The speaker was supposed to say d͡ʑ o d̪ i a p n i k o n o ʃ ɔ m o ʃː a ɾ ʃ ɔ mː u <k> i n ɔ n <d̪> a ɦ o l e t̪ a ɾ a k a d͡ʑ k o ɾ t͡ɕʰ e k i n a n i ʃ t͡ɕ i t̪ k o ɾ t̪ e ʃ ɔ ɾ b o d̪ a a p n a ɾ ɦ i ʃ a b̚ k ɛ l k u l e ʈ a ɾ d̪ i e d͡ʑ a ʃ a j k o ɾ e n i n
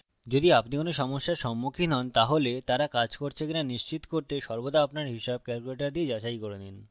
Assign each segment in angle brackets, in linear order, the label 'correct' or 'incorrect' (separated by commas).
incorrect, incorrect